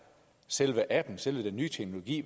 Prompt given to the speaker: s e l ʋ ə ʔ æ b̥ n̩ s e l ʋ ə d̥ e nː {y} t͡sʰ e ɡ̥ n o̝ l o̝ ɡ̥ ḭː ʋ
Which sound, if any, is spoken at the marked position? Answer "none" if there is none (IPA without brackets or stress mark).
yː